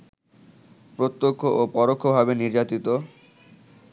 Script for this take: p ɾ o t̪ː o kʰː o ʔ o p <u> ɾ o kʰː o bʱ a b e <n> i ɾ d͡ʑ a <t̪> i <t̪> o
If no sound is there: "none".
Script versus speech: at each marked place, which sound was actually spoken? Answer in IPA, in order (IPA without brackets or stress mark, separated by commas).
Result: ɔ, n, t̪, t̪